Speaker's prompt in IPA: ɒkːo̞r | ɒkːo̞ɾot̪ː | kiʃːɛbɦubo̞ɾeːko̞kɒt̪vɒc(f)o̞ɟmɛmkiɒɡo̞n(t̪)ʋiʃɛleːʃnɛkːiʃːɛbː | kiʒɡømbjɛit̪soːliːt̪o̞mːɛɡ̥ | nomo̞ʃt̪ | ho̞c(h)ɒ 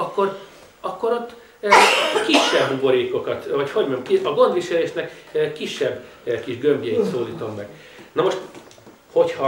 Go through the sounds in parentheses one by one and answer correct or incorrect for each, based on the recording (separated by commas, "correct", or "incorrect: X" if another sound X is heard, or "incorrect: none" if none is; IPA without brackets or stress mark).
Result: incorrect: h, incorrect: d̪, correct